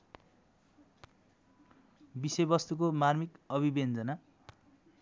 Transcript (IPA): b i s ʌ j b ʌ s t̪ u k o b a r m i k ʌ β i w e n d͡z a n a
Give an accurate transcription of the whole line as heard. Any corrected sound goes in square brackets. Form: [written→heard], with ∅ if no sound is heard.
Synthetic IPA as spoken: b i s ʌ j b ʌ s t̪ u k o [b→m] a r m i k ʌ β i [w→b] e n d͡z [a→ʌ] n a